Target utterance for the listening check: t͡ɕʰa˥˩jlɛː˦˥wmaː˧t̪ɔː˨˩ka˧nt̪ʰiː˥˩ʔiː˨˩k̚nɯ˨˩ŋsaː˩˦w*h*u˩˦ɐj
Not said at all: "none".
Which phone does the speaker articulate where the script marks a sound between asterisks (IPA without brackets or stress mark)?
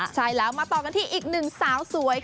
s